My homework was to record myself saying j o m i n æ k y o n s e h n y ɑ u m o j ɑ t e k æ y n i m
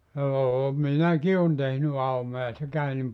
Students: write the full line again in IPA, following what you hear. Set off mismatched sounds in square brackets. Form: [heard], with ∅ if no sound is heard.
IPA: j [oː] m i n æ k [i] o n [t] e h n y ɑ u m o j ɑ [s] e k æ y n i m